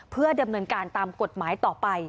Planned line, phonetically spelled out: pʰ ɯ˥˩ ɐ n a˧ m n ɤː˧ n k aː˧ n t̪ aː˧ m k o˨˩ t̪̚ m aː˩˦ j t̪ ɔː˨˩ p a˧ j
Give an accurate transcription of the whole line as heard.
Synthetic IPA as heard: pʰ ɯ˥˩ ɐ d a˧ m n ɤː˧ n k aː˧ n t̪ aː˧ m k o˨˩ t̪̚ m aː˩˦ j t̪ ɔː˨˩ p a˧ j

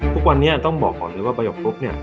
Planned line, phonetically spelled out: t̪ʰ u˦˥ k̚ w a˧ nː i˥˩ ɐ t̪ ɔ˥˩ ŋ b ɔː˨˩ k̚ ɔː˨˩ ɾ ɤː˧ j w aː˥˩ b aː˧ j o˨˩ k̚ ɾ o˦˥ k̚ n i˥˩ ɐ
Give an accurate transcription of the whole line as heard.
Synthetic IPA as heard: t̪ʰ u˦˥ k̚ w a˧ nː i˦˥ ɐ t̪ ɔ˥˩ ŋ b ɔː˨˩ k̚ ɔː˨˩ l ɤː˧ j w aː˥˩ b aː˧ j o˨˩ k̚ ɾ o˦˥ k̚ n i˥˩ ɐ

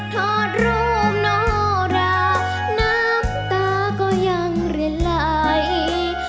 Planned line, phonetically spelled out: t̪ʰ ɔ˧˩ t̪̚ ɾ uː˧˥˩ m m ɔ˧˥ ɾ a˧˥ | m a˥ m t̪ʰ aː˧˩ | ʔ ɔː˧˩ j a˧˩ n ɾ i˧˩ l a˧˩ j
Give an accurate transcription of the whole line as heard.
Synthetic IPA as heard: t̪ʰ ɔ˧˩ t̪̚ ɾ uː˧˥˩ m n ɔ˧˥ ɾ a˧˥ | n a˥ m t̪ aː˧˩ | k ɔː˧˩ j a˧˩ ŋ ɾ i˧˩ l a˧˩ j

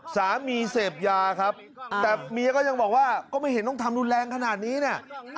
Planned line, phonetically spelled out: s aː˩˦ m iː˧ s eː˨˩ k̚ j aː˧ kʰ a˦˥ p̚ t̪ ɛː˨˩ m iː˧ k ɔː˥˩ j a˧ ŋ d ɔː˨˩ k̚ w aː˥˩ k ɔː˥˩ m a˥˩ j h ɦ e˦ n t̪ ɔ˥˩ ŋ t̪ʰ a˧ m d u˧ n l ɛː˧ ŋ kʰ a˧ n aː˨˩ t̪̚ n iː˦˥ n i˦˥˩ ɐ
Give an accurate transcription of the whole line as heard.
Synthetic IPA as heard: s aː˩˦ m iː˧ s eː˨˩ p̚ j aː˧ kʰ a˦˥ p̚ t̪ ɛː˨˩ m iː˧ k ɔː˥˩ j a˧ ŋ b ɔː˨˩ k̚ w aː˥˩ k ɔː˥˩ m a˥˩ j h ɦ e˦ n t̪ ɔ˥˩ ŋ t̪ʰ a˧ m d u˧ n l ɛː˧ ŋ kʰ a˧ n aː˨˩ t̪̚ n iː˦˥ n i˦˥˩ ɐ

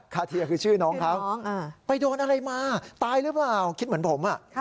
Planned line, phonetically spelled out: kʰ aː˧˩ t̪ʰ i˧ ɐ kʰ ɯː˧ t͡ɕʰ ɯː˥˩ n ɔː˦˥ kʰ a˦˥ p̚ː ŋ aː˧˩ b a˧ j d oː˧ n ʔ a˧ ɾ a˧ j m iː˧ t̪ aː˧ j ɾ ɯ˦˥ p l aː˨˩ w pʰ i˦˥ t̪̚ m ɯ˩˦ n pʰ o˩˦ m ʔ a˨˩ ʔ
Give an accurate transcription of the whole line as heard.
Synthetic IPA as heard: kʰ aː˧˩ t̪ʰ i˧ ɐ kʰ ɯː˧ t͡ɕʰ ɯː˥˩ n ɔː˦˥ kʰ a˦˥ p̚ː ŋ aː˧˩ p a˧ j d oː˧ n ʔ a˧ ɾ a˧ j m aː˧ t̪ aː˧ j ɾ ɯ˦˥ p l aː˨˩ w kʰ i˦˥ t̪̚ m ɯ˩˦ n pʰ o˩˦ m ʔ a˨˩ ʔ

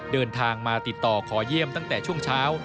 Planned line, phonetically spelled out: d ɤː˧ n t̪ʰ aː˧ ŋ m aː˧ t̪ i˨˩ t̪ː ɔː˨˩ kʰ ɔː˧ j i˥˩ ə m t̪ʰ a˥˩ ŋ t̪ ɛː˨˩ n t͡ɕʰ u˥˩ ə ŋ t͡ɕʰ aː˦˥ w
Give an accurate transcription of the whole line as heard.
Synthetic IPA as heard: d ɤː˧ n t̪ʰ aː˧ ŋ m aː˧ t̪ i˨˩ t̪ː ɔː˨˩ kʰ ɔː˩˦ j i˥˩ ə m t̪ a˥˩ ŋ t̪ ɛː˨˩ t͡ɕʰ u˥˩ ə ŋ t͡ɕʰ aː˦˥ w

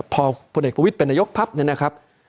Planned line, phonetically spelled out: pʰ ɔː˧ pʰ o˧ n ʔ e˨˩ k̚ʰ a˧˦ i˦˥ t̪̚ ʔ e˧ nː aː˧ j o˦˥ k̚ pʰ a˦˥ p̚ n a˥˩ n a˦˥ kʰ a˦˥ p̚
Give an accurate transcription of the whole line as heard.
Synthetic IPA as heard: pʰ ɔː˧ pʰ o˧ n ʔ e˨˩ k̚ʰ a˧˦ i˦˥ t̪̚ p e˧ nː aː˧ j o˦˥ k̚ pʰ a˦˥ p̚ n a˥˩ n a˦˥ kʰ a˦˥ p̚

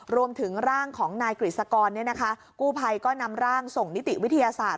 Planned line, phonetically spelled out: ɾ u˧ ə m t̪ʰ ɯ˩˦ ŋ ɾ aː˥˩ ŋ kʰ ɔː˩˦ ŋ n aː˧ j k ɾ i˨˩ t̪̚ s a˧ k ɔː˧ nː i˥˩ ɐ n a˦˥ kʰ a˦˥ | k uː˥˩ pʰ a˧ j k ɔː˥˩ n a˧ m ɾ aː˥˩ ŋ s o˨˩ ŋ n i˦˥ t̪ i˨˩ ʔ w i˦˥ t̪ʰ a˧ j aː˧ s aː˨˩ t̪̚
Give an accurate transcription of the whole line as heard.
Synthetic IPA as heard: ɾ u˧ ə m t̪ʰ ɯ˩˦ ŋ ɾ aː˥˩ ŋ kʰ ɔː˩˦ ŋ n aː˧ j k ɾ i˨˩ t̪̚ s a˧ k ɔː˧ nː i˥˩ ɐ n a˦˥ kʰ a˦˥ | k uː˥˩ pʰ a˧ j k ɔː˥˩ n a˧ m ɾ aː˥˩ ŋ s o˨˩ ŋ n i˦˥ t̪ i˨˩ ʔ w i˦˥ t̪ʰ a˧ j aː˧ s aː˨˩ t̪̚

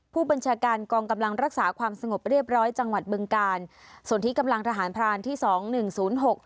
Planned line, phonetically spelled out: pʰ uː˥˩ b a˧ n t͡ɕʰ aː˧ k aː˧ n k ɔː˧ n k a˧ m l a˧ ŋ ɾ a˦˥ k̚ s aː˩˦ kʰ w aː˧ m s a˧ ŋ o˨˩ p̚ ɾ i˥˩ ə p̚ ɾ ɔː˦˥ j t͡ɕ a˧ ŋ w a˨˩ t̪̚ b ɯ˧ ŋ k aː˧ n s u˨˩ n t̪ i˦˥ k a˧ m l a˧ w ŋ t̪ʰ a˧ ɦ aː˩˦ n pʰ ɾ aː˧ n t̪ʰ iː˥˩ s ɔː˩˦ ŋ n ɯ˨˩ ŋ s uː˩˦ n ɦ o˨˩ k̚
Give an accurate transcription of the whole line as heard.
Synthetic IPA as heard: pʰ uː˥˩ b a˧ n t͡ɕʰ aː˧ k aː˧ n k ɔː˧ ŋ k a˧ m l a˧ ŋ ɾ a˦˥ k̚ s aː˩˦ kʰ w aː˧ m s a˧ ŋ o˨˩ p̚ ɾ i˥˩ ə p̚ ɾ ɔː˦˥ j t͡ɕ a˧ ŋ w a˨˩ t̪̚ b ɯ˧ ŋ k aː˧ n s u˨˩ n t̪ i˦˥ k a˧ m l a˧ ŋ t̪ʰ a˧ ɦ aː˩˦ n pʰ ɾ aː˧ n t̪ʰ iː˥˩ s ɔː˩˦ ŋ n ɯ˨˩ ŋ s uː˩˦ n ɦ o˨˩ k̚

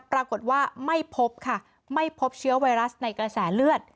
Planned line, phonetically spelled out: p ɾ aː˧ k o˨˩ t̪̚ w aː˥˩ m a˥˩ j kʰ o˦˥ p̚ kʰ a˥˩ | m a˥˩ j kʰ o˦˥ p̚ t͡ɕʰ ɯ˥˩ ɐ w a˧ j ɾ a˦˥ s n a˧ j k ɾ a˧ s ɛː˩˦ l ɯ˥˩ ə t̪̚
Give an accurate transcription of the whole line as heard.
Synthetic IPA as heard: p ɾ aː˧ k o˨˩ t̪̚ w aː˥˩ m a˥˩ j pʰ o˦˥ p̚ kʰ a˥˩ | m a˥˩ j pʰ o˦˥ p̚ t͡ɕʰ ɯ˦˥ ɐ w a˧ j ɾ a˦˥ s n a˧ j k ɾ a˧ s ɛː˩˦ l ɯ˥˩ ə t̪̚

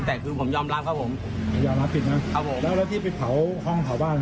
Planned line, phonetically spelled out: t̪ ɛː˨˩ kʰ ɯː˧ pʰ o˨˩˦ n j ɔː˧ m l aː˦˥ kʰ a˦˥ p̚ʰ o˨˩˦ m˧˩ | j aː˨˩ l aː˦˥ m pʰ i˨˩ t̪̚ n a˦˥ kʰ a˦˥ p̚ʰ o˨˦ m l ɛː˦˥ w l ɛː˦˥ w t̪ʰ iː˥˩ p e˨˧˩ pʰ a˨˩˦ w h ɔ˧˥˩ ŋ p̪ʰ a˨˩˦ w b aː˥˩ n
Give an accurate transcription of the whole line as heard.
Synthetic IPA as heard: t̪ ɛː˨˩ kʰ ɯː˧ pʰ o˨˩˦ m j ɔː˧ m l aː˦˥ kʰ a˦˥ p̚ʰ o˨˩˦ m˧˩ | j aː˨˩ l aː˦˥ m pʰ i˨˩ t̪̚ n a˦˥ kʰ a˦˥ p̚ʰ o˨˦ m l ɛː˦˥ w l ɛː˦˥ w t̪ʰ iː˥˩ p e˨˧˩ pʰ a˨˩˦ w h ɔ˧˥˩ ŋ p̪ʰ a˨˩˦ w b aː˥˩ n

